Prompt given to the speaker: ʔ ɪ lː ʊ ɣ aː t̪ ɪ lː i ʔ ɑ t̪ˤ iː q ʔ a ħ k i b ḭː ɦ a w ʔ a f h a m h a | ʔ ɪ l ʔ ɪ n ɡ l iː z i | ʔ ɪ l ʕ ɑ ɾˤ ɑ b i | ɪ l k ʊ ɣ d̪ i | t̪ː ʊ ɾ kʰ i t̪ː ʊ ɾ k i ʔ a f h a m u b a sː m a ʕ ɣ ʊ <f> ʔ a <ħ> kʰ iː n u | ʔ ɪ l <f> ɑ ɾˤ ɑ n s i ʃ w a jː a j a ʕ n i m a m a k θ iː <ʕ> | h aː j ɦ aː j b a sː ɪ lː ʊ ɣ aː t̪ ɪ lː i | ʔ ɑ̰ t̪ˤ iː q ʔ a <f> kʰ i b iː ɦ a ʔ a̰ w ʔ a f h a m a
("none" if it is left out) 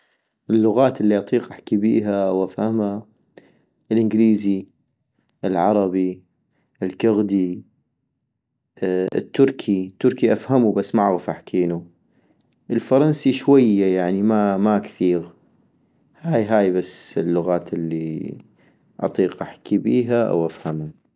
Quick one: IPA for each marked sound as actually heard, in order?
f, ħ, f, ɣ, ħ

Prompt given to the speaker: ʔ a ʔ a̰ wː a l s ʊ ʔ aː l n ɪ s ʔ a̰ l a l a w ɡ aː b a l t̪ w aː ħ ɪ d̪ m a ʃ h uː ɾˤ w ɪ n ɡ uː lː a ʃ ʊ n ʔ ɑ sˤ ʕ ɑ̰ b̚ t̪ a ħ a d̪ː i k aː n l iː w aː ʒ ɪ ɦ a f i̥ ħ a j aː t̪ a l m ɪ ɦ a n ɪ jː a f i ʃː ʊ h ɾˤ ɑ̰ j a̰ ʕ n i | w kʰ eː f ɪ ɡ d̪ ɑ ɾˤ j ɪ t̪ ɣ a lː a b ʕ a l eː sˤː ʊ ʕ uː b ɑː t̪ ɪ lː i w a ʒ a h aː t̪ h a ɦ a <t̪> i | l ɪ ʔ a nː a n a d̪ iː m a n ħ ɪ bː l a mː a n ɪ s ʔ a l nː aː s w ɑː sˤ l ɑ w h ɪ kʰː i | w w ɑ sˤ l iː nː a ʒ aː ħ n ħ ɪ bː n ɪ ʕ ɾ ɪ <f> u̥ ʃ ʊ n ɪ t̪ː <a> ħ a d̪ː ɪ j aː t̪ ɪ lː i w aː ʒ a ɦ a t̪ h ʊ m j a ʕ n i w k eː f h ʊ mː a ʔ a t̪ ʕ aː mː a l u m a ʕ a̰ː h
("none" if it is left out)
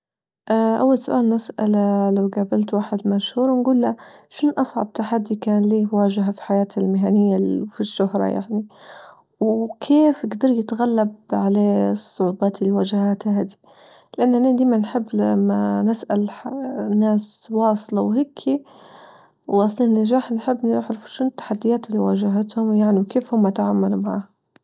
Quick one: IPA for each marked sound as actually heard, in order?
d̪, f, a

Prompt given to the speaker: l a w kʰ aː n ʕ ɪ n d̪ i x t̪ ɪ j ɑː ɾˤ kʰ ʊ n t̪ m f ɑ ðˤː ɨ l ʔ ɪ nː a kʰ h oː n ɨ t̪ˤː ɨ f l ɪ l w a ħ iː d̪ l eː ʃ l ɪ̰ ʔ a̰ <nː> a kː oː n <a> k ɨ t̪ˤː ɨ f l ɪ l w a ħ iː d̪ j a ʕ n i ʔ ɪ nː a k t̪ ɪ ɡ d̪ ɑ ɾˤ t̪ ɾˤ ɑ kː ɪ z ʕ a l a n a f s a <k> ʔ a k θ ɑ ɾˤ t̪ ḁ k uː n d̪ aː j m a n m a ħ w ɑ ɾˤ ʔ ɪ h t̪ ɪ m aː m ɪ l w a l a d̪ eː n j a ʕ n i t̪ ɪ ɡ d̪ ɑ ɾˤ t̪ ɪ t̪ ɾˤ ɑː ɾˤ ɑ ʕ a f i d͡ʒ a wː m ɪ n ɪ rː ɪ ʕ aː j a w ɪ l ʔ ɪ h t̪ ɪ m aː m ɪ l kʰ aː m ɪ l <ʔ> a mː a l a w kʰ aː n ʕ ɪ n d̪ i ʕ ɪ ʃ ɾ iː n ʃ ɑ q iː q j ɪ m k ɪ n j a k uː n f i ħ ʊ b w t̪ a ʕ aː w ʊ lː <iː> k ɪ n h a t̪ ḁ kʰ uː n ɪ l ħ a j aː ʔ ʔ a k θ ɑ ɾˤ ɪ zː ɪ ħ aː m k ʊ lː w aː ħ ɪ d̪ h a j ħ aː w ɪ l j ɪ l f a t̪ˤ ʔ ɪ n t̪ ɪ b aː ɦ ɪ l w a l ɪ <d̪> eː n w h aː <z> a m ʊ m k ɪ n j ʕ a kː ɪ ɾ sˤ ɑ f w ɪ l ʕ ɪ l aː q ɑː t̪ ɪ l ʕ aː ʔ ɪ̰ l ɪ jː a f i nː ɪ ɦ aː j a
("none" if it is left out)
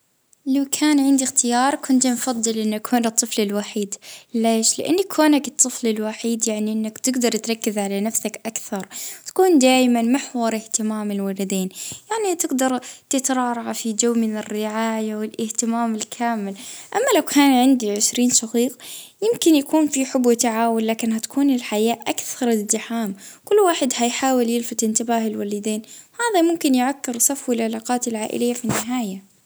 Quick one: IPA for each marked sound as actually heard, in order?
nː, a, k, ʔ, aː, d̪, ð

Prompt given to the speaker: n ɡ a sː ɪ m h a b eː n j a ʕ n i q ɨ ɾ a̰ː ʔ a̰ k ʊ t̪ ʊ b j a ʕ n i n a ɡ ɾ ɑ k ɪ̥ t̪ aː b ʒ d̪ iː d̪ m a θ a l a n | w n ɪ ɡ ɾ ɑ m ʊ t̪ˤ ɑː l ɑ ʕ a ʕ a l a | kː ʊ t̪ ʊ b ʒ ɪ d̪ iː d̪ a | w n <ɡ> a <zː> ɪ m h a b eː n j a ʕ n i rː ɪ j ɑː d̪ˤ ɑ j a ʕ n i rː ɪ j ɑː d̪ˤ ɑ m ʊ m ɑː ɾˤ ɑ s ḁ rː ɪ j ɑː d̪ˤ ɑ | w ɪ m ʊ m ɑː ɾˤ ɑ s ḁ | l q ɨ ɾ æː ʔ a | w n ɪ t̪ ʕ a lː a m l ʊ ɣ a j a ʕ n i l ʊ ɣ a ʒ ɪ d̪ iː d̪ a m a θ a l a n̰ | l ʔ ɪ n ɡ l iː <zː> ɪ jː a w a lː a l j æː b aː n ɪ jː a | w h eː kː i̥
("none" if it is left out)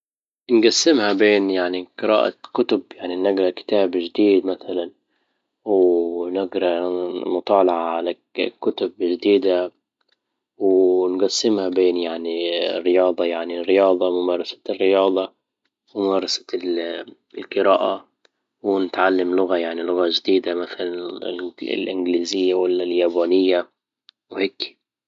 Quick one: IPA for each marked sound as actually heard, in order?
ɡ, sː, z

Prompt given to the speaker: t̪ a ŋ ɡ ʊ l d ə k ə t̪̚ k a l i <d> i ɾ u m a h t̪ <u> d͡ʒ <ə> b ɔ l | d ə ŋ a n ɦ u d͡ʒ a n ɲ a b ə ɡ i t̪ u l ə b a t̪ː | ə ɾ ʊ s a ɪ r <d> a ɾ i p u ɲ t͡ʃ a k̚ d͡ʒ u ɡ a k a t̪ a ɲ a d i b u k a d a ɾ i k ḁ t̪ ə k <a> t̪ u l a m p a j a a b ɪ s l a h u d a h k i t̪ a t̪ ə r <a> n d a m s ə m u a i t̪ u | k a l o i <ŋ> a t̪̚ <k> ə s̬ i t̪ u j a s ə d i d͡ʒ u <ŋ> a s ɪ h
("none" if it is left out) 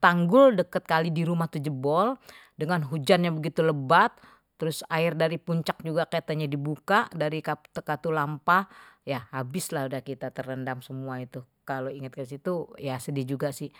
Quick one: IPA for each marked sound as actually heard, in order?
d, u, ə, d, a, ə, ŋ, k, ɡ

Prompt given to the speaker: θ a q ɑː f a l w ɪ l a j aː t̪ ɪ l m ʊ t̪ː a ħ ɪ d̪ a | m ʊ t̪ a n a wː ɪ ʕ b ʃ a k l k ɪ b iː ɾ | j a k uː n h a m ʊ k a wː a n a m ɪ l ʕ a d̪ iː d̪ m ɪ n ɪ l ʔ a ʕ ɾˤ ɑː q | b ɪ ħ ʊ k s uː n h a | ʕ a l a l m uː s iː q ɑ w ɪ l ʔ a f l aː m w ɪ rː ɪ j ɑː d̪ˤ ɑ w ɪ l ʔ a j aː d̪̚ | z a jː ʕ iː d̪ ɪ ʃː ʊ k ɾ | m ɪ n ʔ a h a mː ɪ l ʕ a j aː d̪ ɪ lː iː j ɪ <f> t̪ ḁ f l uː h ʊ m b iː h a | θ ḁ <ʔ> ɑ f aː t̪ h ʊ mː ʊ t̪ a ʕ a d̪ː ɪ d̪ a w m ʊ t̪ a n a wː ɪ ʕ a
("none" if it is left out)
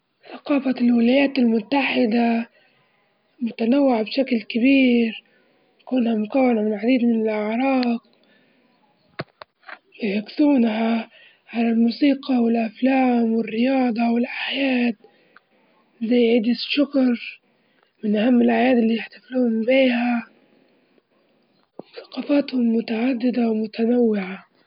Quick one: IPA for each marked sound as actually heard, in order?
ħ, q

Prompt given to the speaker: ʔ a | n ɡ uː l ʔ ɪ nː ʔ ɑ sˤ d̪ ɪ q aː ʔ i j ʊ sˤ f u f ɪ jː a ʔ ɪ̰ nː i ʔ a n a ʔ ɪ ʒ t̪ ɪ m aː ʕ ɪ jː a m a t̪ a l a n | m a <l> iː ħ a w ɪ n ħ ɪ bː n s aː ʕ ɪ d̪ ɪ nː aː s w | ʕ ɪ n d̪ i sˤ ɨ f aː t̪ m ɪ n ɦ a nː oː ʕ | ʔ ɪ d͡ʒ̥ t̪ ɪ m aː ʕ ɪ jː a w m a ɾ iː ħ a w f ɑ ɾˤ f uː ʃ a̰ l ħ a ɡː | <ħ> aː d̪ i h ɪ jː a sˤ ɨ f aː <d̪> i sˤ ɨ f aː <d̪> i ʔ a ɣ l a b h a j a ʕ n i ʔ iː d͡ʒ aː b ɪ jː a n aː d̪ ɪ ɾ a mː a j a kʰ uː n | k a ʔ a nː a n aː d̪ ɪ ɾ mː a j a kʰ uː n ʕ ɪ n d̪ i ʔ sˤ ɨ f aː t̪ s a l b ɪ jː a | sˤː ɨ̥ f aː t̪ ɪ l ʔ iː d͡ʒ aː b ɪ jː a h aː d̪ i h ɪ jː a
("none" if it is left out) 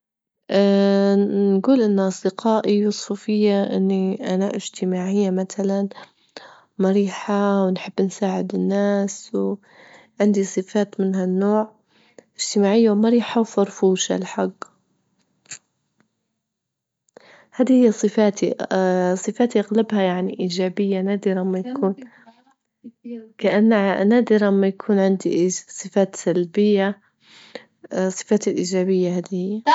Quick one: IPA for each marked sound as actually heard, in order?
ɾ, h, t̪, t̪

